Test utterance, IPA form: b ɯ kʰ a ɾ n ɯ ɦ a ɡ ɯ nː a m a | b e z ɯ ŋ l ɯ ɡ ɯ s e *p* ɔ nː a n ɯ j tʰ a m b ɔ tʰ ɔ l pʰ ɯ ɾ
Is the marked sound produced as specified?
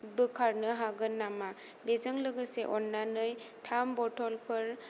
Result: no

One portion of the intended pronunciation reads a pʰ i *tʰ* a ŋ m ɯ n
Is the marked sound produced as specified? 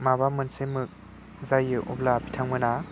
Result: yes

